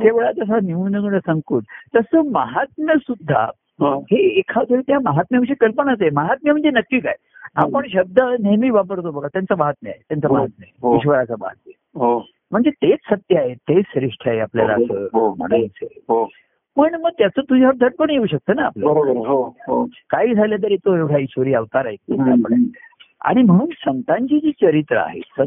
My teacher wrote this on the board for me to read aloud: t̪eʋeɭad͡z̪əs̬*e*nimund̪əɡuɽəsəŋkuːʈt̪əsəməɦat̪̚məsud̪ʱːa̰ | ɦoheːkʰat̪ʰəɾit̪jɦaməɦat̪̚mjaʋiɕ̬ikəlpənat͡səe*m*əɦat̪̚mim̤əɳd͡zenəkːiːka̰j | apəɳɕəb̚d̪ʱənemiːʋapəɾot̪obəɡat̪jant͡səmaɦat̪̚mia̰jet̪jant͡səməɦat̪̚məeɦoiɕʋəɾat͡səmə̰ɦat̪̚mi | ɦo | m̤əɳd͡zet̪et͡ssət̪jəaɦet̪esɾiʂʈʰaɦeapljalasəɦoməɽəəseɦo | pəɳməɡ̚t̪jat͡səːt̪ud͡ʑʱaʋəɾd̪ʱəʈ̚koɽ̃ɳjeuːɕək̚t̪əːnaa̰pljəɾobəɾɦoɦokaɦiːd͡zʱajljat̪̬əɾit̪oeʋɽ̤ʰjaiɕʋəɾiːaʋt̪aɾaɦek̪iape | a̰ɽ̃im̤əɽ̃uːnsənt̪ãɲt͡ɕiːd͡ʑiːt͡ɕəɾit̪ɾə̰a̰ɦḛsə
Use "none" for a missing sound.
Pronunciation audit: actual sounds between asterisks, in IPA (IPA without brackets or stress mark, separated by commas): a, m